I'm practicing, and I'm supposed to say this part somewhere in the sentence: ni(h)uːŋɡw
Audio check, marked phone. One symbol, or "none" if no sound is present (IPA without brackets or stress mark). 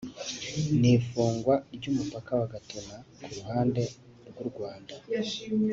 f